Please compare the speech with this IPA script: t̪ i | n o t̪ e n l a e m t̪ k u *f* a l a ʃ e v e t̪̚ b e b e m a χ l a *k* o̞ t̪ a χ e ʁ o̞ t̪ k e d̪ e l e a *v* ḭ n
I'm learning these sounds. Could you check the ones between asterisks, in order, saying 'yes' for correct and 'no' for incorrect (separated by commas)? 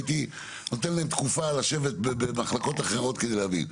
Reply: yes, yes, yes